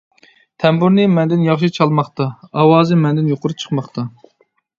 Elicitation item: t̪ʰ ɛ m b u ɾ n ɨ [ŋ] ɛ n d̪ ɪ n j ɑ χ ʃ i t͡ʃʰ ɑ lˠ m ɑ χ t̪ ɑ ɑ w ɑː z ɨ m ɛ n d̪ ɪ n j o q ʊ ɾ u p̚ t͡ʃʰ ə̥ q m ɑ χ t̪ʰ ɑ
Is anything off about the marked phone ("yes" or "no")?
yes